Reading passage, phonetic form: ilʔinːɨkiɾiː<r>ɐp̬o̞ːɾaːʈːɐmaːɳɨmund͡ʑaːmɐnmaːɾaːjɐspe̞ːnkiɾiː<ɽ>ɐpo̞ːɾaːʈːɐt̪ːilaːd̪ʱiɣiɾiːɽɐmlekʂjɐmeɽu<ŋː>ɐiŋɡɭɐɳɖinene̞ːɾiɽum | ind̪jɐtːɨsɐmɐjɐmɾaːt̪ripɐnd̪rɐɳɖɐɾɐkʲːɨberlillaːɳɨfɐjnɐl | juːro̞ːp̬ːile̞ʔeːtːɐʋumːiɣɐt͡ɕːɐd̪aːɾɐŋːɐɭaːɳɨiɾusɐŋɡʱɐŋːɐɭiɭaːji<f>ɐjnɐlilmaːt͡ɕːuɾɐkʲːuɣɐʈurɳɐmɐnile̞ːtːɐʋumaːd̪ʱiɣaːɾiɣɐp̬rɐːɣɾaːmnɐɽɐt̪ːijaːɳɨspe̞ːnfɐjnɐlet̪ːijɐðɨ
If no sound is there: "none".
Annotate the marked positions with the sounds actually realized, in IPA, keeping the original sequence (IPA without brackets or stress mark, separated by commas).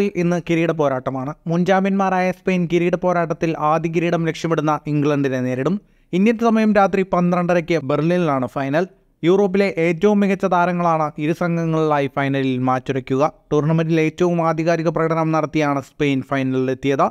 ɽ, ɽ, nː, f